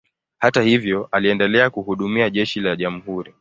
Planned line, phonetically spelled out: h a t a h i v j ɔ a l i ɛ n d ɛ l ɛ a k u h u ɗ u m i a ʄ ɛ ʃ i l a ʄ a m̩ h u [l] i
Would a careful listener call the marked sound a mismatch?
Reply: yes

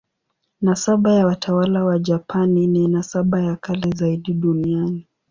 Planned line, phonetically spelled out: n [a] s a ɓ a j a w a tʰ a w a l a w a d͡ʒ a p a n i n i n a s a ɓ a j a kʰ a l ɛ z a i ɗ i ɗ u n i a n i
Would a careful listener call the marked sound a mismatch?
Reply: no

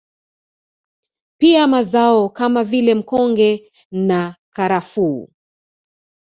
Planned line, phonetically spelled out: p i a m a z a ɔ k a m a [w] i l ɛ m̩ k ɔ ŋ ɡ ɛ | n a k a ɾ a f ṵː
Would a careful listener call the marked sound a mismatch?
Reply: yes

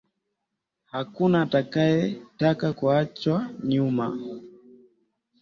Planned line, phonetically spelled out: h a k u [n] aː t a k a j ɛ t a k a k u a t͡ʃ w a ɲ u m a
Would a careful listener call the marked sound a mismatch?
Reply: no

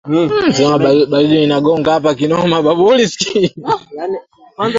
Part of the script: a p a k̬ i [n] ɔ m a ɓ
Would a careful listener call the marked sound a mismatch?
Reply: no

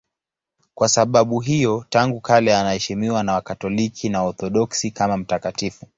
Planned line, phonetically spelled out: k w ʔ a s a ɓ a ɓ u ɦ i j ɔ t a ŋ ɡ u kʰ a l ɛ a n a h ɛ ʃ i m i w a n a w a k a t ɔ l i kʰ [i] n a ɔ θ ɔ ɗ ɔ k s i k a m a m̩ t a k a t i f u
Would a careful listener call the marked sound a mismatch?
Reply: no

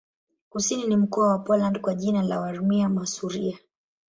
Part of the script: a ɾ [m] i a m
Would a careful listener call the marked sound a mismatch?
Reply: no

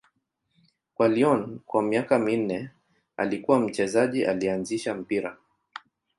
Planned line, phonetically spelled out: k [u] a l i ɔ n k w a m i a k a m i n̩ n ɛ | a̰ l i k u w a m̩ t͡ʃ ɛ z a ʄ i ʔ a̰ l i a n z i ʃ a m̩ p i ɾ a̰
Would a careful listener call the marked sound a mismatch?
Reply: yes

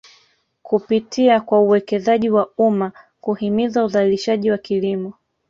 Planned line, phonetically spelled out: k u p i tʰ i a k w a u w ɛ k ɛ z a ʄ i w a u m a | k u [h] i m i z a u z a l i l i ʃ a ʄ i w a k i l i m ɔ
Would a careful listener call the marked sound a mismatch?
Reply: no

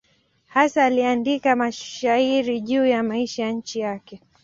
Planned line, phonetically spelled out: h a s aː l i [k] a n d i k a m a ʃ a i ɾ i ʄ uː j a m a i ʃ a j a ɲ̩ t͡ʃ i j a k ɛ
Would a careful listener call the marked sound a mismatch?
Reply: yes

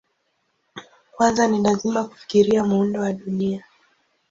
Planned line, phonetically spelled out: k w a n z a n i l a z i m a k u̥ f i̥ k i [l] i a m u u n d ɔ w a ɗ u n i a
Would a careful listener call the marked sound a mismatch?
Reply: yes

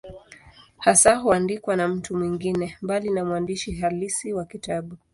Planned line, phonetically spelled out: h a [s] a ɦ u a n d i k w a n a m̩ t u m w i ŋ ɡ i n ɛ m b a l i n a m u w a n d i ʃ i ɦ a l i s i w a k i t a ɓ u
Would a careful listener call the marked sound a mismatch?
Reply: no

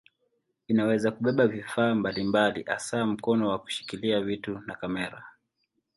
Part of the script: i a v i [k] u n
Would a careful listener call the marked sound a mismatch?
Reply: yes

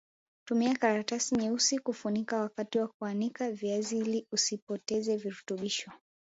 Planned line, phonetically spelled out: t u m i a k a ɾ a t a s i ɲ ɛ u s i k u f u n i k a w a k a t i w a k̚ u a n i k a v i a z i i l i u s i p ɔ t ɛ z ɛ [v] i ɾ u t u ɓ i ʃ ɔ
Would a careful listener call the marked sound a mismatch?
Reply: no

